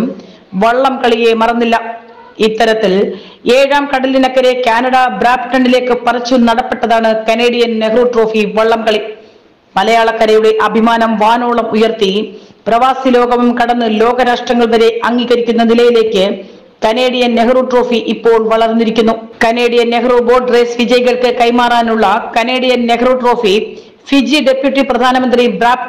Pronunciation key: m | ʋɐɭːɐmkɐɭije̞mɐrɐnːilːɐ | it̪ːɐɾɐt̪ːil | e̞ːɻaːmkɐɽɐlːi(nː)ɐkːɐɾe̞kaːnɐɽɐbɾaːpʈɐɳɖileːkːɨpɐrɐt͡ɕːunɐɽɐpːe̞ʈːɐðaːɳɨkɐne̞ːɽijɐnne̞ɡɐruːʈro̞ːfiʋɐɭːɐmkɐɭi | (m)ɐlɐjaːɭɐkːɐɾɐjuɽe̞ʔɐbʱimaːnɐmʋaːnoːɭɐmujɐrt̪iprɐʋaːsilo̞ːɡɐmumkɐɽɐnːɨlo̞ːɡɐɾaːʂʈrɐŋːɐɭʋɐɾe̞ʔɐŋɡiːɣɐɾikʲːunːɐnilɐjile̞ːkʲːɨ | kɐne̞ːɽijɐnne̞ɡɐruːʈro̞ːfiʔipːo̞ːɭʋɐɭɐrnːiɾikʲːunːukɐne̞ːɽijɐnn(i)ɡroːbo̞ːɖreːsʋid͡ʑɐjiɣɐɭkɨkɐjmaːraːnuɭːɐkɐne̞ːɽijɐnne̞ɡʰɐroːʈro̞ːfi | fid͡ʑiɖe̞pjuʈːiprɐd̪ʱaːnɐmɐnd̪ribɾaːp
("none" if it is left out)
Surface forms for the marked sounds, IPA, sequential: n, m, e

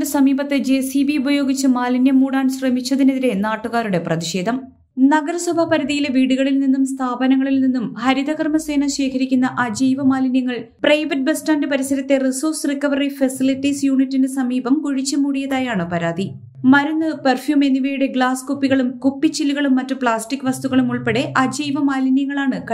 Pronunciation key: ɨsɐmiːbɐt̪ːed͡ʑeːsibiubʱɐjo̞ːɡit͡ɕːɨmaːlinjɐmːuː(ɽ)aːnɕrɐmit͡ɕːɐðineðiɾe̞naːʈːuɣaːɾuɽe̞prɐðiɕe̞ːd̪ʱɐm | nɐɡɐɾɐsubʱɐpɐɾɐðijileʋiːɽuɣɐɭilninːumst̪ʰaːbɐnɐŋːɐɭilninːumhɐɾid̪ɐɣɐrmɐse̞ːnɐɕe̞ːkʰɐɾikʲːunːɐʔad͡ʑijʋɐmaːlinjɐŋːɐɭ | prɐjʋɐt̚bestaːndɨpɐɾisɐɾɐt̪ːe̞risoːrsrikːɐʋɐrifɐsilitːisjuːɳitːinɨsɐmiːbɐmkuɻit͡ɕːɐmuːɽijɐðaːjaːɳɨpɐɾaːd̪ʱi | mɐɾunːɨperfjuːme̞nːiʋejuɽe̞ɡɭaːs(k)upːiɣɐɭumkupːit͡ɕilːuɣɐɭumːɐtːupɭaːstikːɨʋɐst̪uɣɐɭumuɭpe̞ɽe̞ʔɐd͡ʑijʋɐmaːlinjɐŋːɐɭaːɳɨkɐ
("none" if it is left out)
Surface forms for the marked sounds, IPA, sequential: ɽ, k

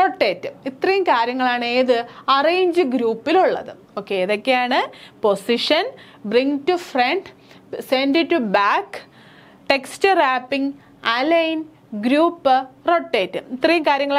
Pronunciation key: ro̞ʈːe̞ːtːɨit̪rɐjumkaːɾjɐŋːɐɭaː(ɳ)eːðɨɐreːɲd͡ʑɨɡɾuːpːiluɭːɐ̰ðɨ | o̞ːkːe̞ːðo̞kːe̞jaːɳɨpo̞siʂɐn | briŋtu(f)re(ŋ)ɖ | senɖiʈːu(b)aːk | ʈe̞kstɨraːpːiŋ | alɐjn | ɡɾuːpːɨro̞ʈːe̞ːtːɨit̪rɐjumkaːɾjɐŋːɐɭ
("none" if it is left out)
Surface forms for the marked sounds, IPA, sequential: ɳ, f, ɳ, b

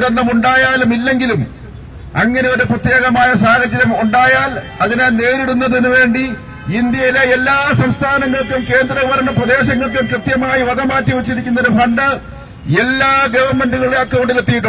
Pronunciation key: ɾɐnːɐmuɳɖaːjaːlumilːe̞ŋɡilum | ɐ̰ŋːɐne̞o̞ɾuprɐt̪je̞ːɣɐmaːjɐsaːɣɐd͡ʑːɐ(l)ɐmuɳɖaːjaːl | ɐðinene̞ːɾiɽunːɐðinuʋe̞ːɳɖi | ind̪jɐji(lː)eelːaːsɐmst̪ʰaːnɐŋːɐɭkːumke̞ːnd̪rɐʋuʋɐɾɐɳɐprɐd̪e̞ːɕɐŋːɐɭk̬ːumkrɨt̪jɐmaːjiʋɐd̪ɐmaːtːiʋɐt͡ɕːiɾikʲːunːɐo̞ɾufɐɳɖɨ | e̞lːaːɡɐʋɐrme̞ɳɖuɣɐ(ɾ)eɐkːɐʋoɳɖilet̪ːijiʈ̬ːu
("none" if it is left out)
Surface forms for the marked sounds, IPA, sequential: ɾ, l, ɭ

